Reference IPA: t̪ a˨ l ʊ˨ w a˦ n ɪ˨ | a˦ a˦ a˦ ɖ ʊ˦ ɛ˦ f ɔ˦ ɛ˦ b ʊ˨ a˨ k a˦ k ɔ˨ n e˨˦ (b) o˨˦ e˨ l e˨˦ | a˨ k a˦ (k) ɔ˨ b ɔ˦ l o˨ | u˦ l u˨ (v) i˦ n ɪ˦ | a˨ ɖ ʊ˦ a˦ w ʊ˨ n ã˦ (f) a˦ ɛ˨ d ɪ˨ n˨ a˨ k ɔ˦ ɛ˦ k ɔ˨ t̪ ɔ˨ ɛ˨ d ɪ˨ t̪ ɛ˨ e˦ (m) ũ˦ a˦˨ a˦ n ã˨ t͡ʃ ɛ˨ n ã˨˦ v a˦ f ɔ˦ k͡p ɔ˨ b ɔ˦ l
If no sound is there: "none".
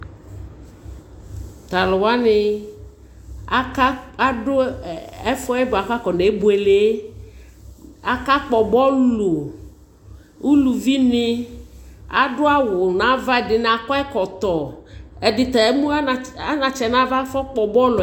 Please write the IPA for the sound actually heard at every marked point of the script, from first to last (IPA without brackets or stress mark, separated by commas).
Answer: b, k͡p, v, v, m